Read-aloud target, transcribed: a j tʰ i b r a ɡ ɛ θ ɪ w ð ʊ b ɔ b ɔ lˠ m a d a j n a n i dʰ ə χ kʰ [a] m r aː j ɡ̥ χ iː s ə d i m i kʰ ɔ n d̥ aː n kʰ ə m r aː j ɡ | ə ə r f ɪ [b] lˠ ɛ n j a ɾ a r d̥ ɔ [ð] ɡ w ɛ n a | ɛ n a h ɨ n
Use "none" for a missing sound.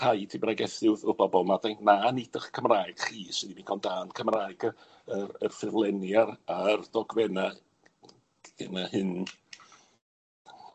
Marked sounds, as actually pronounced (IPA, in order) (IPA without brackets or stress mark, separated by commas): ə, v, none